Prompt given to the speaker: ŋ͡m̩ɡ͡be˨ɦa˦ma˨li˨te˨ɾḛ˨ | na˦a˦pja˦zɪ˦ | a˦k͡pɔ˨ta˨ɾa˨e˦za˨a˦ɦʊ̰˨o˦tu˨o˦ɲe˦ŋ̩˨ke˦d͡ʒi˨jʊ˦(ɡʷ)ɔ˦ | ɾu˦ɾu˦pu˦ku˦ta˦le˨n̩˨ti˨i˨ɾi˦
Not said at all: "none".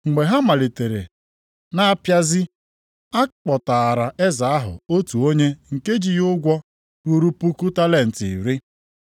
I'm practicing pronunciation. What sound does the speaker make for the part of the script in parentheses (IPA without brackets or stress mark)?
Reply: ɡʷ